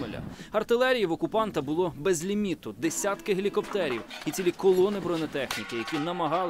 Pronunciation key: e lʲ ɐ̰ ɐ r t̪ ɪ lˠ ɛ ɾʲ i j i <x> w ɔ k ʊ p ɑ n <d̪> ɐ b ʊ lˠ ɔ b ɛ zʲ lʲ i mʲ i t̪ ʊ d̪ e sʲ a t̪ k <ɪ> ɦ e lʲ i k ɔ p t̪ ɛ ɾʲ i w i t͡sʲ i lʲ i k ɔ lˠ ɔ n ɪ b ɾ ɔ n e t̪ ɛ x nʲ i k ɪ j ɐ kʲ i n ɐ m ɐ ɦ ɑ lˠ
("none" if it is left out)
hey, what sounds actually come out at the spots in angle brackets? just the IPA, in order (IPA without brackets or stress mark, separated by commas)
none, t̪, ɪ